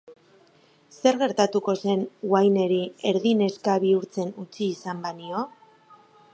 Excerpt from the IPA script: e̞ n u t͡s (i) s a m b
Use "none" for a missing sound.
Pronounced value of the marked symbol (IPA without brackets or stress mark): iː